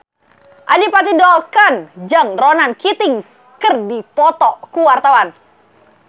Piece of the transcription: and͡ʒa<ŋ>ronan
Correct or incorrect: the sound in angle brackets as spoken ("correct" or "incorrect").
correct